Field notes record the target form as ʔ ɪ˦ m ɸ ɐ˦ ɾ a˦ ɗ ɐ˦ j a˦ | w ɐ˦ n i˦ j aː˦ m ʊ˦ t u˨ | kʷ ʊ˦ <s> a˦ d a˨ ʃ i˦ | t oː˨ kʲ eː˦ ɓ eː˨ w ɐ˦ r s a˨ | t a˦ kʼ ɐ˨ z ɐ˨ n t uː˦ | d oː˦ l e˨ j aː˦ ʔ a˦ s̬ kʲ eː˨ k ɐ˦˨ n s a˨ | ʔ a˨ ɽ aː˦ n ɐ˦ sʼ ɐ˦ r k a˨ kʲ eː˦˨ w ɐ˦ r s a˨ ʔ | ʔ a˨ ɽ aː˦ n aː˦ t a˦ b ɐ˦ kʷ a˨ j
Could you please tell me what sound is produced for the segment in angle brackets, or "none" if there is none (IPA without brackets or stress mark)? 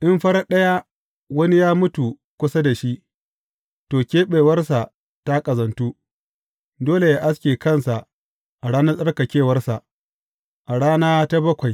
s